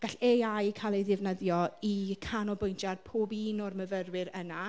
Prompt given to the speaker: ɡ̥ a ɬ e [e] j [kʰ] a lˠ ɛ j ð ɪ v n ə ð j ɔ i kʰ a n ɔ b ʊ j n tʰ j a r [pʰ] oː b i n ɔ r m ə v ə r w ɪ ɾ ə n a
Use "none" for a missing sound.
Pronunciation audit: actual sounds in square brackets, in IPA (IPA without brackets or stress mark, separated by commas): a, kʰ, pʰ